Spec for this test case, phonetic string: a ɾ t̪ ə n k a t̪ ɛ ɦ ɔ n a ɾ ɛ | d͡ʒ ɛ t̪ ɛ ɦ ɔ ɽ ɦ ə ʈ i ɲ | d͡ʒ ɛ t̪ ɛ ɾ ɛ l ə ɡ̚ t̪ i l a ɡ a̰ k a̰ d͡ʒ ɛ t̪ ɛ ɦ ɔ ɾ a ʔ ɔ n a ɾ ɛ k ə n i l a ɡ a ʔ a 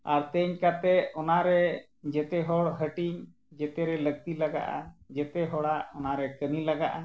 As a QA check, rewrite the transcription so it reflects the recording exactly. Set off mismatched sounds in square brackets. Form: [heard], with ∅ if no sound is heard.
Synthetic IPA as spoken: a ɾ t̪ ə [ɲ] k a t̪ ɛ [∅] ɔ n a ɾ ɛ | d͡ʒ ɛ t̪ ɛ ɦ ɔ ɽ ɦ ə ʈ i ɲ | d͡ʒ ɛ t̪ ɛ ɾ ɛ l ə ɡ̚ t̪ i l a ɡ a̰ [ʔ] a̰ d͡ʒ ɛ t̪ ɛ ɦ ɔ [ɽ] a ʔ ɔ n a ɾ ɛ k ə n i l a ɡ a ʔ a